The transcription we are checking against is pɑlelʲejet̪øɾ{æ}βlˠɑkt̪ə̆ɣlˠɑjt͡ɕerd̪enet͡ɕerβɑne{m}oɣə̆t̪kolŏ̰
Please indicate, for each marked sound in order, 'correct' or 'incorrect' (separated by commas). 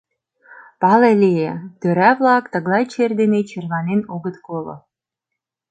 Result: correct, incorrect